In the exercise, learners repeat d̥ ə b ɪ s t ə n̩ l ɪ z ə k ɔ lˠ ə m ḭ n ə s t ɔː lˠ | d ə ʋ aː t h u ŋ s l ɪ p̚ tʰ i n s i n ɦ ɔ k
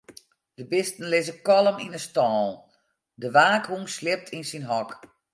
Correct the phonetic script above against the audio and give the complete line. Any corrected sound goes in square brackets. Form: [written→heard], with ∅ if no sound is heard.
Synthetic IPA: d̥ ə b ɪ s t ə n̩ l ɪ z ə k ɔ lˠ ə m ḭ n ə s t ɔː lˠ | d ə ʋ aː [t→k] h u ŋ s l ɪ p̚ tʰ i n s i n ɦ ɔ k